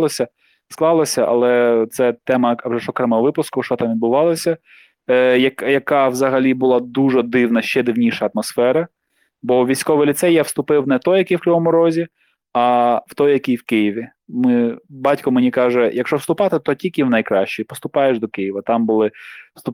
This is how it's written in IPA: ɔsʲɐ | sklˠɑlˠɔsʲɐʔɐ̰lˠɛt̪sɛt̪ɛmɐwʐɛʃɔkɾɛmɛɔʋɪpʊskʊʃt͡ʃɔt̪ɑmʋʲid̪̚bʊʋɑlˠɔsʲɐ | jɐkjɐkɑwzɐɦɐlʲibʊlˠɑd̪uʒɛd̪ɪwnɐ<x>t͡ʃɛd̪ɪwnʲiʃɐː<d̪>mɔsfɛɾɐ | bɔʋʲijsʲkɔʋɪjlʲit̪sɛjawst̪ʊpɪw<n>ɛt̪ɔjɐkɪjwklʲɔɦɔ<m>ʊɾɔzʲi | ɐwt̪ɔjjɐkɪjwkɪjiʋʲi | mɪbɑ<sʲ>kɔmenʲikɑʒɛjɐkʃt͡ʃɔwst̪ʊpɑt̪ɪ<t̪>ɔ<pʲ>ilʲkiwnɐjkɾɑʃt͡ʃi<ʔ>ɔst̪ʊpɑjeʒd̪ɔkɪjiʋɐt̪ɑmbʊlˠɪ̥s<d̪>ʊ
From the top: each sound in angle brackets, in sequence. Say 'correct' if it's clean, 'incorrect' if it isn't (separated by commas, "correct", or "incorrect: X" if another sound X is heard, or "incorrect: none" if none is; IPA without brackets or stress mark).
incorrect: ʃ, incorrect: t̪, correct, correct, incorrect: tʲ, correct, incorrect: tʲ, incorrect: p, incorrect: t̪